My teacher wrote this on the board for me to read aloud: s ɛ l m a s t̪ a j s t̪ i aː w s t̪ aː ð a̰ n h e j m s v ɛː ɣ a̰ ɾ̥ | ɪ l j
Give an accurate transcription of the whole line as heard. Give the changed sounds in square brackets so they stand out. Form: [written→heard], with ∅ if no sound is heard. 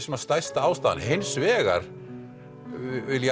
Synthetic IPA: s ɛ [l→∅] m a s t̪ a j s t̪ [i→a] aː w s t̪ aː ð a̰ n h e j [m→n] s v ɛː ɣ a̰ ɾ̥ | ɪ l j